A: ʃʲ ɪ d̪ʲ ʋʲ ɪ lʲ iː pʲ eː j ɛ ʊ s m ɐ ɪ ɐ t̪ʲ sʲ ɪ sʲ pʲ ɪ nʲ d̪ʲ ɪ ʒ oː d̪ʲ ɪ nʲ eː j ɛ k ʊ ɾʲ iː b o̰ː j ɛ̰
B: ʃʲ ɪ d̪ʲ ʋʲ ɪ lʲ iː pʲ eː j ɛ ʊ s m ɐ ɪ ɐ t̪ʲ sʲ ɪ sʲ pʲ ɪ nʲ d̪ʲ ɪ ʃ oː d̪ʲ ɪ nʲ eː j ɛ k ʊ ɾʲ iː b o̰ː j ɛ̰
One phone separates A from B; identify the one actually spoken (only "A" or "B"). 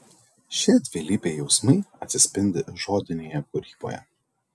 A